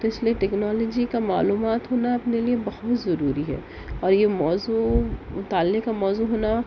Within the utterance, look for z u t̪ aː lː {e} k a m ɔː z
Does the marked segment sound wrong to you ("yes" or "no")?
no